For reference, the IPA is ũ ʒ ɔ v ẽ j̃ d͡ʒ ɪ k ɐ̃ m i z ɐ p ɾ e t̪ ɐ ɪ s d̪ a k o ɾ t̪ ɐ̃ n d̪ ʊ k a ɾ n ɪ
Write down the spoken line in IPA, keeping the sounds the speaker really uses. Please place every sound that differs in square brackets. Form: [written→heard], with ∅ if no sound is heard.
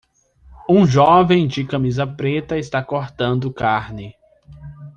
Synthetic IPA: ũ ʒ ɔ v ẽ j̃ d͡ʒ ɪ k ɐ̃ m i z ɐ p ɾ e t̪ ɐ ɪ s [d̪→t̪] a k o ɾ t̪ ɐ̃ n d̪ ʊ k a ɾ n ɪ